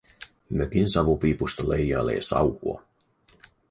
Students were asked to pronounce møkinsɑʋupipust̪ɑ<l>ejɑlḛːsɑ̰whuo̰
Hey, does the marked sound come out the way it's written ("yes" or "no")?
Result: yes